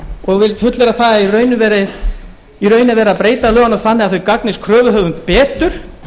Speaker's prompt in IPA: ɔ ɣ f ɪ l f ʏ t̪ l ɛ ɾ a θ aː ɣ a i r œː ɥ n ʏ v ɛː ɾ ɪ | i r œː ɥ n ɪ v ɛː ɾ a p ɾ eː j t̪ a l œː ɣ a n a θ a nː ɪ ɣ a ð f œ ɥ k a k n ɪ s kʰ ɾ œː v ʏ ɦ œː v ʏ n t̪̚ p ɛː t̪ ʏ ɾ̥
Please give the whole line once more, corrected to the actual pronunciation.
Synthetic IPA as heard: ɔ ɣ v ɪ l f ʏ t̪ l ɛ ɾ a θ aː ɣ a i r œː ɥ n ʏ v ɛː ɾ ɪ | i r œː ɥ n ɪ v ɛː ɾ a p ɾ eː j t̪ a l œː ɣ a n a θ a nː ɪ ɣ a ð θ œ ɥ k a k n ɪ s kʰ ɾ œː v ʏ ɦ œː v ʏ n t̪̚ p ɛː t̪ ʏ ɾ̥